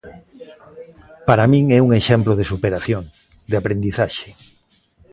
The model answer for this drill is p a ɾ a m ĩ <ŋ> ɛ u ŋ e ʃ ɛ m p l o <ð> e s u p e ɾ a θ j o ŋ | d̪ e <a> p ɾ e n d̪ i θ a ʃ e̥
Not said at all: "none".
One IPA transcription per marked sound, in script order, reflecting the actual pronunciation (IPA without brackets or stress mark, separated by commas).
ŋ, ð, a